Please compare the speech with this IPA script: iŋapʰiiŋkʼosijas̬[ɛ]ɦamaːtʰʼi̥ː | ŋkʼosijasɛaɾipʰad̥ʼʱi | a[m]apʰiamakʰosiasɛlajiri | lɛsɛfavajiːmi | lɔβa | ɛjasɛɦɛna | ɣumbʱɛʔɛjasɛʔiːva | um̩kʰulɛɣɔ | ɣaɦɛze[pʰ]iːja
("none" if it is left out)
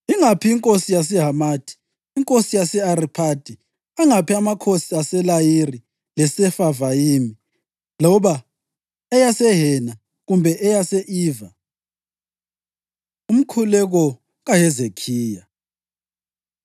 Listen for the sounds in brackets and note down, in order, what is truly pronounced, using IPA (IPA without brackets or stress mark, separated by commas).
ɛ, ŋ, kʰ